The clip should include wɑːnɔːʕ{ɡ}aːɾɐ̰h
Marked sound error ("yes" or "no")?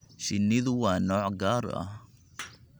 no